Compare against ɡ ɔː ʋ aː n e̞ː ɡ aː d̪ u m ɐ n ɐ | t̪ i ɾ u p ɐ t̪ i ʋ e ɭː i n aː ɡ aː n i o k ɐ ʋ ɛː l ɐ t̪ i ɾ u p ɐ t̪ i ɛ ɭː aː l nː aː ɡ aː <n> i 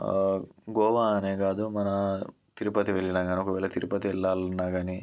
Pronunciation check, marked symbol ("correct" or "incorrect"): correct